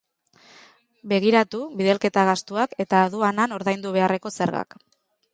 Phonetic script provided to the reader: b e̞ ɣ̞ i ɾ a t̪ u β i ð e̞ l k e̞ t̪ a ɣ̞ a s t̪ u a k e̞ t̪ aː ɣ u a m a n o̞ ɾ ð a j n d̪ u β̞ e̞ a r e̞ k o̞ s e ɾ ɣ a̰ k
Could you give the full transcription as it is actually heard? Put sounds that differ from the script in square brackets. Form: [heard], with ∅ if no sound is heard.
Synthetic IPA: b e̞ ɣ̞ i ɾ a t̪ u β i ð e̞ l k e̞ t̪ a ɣ̞ a s t̪ u a k e̞ t̪ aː [ð] u a [n] a n o̞ ɾ ð a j n d̪ u β̞ e̞ a r e̞ k o̞ s e ɾ ɣ a̰ k